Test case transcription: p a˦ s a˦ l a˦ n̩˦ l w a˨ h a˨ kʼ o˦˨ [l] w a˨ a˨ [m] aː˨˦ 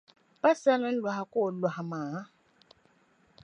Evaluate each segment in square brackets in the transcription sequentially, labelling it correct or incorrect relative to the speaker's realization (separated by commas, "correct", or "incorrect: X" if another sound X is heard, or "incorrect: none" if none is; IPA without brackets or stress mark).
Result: correct, correct